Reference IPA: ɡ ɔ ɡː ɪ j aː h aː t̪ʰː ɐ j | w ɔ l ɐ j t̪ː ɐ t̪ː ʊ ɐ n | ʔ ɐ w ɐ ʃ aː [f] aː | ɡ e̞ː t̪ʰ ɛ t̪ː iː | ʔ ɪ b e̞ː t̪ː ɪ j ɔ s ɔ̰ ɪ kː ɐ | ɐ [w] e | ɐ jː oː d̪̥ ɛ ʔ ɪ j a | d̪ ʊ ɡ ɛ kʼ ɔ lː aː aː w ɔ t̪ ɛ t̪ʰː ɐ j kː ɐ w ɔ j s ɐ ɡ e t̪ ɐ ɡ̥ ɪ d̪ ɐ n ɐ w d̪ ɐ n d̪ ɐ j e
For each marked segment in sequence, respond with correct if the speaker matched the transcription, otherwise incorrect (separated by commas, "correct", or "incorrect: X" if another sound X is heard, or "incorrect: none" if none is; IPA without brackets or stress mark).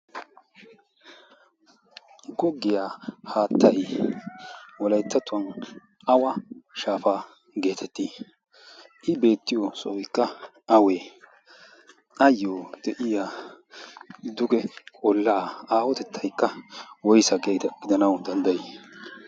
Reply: correct, correct